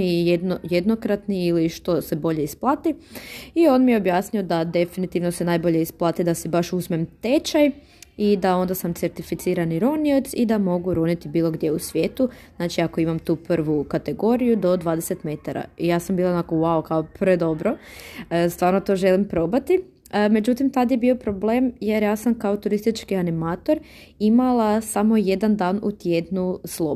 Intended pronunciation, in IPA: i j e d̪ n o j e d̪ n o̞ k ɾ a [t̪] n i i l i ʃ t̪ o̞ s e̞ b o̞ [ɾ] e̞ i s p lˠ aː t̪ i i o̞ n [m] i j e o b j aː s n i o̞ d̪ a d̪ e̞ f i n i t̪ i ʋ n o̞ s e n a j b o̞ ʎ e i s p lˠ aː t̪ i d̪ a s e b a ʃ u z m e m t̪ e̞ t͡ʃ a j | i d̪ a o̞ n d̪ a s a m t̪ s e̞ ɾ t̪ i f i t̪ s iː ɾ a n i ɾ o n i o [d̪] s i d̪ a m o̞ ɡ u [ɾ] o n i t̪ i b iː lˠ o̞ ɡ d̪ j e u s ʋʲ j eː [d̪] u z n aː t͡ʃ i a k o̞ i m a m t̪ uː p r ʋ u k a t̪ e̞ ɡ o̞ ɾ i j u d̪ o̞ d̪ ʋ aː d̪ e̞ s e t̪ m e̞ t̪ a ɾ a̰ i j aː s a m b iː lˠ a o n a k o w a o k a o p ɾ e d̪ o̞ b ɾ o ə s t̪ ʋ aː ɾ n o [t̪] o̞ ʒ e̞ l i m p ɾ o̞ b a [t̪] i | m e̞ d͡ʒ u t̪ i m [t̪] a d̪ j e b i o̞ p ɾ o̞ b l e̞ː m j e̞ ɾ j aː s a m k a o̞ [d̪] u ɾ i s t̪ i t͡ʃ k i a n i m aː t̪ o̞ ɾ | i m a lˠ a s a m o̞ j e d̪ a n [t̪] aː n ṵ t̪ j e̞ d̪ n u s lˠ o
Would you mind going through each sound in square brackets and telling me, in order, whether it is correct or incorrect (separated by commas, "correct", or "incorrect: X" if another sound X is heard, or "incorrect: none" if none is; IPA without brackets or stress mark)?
correct, incorrect: ʎ, correct, incorrect: t̪, correct, incorrect: t̪, correct, correct, correct, incorrect: t̪, incorrect: d̪